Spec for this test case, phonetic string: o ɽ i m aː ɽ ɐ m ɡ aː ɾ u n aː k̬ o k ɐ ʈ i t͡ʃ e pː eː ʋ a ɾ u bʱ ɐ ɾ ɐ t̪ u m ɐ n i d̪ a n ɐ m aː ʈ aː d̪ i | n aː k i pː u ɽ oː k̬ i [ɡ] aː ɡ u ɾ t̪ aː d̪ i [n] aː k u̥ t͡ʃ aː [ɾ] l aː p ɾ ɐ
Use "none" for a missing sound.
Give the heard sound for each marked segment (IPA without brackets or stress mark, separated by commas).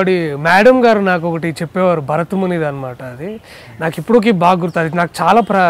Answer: b, n, none